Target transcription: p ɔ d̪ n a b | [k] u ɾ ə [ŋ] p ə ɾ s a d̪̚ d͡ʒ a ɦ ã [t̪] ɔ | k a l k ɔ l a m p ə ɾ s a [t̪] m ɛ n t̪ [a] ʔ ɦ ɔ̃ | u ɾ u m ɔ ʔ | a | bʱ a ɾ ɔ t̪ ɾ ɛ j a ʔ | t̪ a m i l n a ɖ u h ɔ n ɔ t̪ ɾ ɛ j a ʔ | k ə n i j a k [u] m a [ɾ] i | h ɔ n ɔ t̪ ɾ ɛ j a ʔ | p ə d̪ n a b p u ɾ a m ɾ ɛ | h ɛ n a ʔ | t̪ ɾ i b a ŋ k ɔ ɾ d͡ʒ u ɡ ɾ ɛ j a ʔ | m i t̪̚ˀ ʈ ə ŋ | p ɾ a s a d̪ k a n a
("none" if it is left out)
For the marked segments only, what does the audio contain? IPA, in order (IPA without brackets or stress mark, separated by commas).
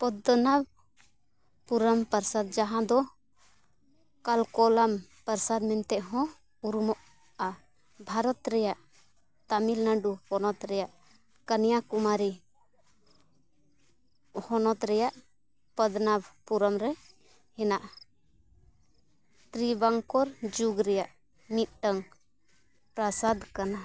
p, m, d̪, d̪, ɛ, u, ɾ